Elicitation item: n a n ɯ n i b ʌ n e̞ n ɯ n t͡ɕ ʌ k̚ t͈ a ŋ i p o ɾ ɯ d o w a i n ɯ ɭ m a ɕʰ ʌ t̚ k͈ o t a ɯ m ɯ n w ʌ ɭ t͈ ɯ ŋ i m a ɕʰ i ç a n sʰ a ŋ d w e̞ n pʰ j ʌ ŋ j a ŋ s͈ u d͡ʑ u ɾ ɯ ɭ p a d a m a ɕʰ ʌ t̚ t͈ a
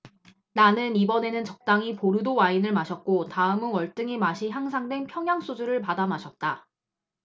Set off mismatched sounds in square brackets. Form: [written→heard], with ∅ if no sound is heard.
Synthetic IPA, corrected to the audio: n a n ɯ n i b ʌ n e̞ n ɯ n t͡ɕ ʌ k̚ t͈ a ŋ i p o ɾ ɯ d o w a i n ɯ ɭ m a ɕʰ ʌ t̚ k͈ o t a ɯ m ɯ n w ʌ ɭ t͈ ɯ ŋ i m a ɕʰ i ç a [n→ŋ] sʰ a ŋ d w e̞ n pʰ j ʌ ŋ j a ŋ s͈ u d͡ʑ u ɾ ɯ ɭ p a d a m a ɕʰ ʌ t̚ t͈ a